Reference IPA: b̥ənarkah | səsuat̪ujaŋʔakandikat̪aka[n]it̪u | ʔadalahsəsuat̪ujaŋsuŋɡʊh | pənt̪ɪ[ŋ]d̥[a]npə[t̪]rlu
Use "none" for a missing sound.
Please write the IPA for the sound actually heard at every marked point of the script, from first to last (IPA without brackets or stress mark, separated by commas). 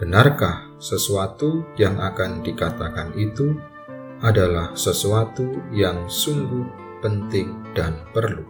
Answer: n, ŋ, a, none